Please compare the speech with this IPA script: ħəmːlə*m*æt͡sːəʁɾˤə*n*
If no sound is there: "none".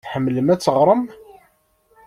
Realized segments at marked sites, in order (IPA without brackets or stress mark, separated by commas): m, m